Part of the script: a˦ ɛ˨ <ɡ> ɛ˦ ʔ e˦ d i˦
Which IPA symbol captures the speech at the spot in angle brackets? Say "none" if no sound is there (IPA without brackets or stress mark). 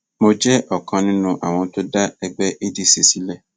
ɡ͡b